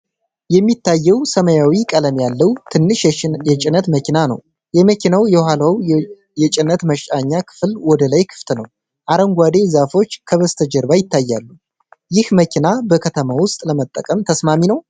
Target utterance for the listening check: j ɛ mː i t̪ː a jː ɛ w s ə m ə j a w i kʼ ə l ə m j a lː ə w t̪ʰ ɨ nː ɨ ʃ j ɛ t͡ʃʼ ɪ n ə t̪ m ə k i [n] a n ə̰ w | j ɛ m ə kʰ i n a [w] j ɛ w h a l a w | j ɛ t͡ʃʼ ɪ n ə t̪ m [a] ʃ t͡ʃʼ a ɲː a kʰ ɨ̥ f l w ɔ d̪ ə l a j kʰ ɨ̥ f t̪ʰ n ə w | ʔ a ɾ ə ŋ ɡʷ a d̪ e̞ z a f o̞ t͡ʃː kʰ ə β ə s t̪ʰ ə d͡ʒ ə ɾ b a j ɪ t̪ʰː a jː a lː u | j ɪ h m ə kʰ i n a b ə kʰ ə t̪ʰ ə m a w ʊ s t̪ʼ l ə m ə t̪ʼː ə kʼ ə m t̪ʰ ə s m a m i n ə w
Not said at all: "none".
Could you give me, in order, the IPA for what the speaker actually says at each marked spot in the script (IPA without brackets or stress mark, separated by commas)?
n, w, ə